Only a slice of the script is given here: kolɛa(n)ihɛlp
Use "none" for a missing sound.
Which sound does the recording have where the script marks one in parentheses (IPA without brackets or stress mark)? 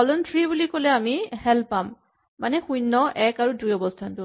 m